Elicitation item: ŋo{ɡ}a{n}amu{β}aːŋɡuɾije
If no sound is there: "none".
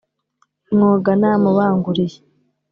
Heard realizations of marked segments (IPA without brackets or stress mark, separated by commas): ɡ, n, β